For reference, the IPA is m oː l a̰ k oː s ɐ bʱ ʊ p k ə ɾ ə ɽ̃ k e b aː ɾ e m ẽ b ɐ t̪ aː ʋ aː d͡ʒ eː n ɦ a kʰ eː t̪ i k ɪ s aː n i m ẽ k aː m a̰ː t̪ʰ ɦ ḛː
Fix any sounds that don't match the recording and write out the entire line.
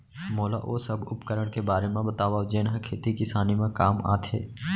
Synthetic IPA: m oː l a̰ ʔ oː s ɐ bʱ ʊ p k ə ɾ ə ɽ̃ k e b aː ɾ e m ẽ b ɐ t̪ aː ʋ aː d͡ʒ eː n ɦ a kʰ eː t̪ i k ɪ s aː n i m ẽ k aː m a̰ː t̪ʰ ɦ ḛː